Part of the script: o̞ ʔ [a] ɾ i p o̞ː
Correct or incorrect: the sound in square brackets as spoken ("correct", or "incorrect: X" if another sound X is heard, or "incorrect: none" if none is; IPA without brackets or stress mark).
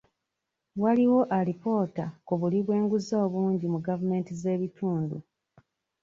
correct